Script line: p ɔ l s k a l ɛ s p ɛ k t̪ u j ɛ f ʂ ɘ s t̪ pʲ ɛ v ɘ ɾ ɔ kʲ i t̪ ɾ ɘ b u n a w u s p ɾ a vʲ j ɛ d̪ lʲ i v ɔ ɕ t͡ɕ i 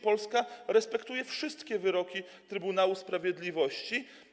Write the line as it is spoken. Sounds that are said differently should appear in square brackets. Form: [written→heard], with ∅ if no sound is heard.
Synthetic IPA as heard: p ɔ l s k a [l→ɾ] ɛ s p ɛ k t̪ u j ɛ f ʂ ɘ s t̪ [pʲ→kʲ] ɛ v ɘ ɾ ɔ kʲ i t̪ ɾ ɘ b u n a w u s p ɾ a vʲ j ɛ d̪ lʲ i v ɔ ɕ t͡ɕ i